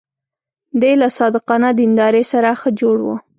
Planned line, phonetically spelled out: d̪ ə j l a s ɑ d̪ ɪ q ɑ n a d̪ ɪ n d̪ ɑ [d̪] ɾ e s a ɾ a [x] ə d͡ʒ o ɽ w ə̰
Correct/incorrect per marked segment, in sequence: incorrect: none, correct

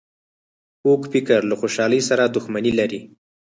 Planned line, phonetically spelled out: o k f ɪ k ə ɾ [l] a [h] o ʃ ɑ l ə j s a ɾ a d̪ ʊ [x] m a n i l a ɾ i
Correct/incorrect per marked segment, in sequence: correct, incorrect: x, correct

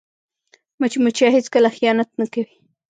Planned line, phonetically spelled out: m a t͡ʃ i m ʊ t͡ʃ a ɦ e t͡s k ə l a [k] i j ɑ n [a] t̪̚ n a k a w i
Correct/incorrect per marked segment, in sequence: incorrect: x, correct

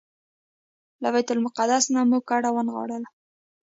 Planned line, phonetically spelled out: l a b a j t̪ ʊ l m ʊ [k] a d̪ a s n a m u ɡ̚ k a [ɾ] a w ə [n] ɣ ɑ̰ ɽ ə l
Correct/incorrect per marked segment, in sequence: incorrect: q, incorrect: ɽ, correct

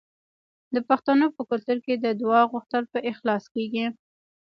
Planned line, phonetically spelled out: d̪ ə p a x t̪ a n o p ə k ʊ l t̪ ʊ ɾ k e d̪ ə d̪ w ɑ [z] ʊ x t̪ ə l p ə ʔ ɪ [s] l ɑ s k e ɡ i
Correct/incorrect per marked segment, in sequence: incorrect: ɣ, incorrect: x

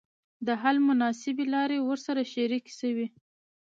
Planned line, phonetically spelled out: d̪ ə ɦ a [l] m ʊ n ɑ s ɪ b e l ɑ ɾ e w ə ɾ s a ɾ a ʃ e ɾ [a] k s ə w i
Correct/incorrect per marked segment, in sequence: correct, incorrect: i

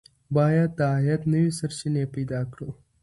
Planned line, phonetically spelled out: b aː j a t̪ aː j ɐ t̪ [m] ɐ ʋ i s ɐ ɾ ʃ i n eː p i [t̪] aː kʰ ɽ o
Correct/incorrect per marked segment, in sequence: incorrect: n, incorrect: d̪

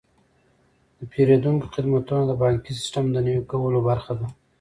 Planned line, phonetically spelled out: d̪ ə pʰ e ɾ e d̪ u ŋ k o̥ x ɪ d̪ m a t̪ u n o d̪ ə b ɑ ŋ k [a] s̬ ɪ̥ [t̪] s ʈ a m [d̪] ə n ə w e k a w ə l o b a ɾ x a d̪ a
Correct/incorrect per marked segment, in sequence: incorrect: i, incorrect: none, correct

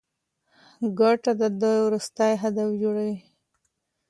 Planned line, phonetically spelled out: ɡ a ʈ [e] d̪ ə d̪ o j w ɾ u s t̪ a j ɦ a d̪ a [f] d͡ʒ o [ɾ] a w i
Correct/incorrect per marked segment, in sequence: incorrect: a, correct, incorrect: ɽ

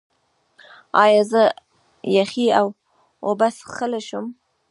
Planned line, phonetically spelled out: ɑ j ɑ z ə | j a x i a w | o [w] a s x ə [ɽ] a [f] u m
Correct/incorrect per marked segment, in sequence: incorrect: b, incorrect: l, incorrect: ʃ

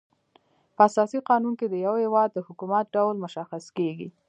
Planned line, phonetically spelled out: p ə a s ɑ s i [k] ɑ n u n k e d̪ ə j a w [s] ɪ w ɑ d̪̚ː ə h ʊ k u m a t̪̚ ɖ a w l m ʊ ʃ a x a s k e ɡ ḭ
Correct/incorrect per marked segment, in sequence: incorrect: q, incorrect: h

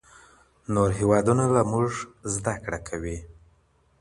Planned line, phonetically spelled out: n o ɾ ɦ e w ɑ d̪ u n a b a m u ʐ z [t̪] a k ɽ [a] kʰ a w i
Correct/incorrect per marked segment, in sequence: incorrect: d̪, correct

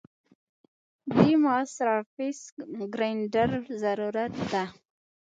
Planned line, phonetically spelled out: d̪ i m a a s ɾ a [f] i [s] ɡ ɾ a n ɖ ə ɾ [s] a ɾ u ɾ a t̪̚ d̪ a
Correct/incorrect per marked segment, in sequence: correct, correct, incorrect: z

